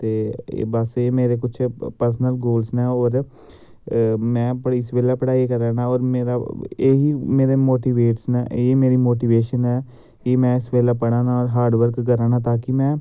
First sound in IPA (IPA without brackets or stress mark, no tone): t̪